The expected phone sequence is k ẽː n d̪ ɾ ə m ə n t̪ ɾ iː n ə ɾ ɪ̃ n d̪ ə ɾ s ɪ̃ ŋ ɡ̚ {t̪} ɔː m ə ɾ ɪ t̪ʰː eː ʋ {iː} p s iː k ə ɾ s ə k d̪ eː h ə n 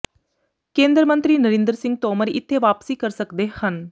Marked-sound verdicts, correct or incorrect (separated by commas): correct, incorrect